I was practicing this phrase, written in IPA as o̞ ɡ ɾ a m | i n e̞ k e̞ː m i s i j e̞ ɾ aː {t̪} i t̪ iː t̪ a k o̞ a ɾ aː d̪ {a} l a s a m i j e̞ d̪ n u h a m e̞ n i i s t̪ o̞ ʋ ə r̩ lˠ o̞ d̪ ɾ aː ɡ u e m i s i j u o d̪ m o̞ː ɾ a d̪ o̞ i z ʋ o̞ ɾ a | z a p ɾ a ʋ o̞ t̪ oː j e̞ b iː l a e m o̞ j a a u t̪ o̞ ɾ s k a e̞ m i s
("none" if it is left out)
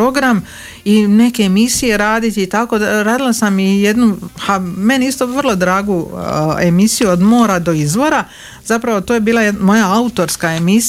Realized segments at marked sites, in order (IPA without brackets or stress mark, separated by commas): d̪, i